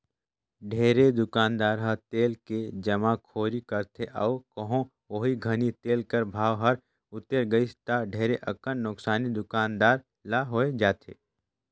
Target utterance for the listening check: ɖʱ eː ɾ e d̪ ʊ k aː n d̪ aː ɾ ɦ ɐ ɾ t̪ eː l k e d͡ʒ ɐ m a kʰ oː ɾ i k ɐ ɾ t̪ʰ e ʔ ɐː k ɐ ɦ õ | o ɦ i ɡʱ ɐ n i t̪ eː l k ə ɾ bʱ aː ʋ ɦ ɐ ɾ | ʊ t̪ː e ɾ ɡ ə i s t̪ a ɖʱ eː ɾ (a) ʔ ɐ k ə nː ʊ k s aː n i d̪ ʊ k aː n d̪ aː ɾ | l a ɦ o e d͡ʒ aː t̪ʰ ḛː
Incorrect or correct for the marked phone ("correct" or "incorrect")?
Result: incorrect